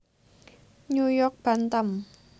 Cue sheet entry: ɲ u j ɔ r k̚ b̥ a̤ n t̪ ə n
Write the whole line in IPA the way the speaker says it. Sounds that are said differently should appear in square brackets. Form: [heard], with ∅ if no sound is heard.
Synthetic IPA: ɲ u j ɔ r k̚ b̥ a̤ n t̪ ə [m]